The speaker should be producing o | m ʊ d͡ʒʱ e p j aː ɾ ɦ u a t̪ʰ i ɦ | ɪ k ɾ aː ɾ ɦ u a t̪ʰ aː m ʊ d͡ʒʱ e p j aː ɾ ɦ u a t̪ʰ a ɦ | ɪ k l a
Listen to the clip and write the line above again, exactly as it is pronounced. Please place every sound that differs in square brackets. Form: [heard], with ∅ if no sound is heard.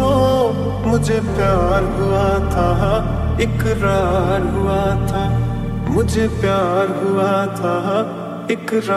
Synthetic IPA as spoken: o | m ʊ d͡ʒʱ e p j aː ɾ ɦ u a t̪ʰ [a] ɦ | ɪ k ɾ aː ɾ ɦ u a t̪ʰ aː m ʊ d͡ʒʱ e p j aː ɾ ɦ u a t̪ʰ a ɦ | ɪ k [ɾ] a